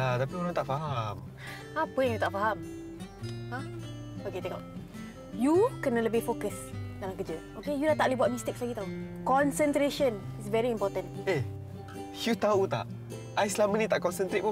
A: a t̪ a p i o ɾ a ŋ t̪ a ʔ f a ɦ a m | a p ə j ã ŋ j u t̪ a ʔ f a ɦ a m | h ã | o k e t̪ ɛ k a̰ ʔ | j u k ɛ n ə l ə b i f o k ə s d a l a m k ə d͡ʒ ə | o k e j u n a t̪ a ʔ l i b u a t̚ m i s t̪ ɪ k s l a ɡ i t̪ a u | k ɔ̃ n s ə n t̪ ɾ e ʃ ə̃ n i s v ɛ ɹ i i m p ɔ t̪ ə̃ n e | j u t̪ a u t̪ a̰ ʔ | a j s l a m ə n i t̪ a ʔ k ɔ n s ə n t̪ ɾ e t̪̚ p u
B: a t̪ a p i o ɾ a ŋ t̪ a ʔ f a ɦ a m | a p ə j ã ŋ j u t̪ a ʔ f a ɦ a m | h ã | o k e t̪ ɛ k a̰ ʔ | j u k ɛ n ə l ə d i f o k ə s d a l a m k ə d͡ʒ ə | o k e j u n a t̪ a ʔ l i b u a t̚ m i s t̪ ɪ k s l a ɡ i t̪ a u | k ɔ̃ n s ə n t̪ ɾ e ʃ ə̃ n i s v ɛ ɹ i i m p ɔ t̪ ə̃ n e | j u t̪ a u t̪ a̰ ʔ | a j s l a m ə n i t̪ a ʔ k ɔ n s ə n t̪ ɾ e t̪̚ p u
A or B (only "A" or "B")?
A